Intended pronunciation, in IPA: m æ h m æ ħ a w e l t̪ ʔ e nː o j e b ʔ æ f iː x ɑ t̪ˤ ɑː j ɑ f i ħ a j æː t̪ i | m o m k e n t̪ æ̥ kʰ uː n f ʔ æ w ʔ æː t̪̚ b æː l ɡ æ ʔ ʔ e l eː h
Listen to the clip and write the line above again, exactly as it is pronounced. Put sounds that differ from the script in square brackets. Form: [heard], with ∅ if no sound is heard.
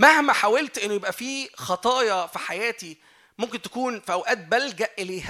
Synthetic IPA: m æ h m æ ħ a w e l t̪ ʔ e nː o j e b ʔ æ f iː x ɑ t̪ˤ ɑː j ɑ f i ħ a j æː t̪ i | m o m k e n t̪ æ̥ [k] uː n f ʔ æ w ʔ æː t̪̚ b [æ] l ɡ æ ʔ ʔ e l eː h